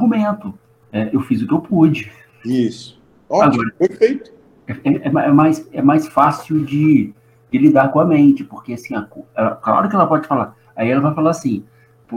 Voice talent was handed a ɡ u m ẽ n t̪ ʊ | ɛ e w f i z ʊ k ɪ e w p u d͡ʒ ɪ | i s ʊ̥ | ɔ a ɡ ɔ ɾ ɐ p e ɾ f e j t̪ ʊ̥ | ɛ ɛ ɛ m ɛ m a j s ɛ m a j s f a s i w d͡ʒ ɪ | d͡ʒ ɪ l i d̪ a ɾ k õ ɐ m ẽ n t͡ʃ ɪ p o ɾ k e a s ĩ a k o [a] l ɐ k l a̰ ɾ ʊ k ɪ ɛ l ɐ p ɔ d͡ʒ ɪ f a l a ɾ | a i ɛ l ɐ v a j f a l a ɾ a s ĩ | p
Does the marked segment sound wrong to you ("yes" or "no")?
yes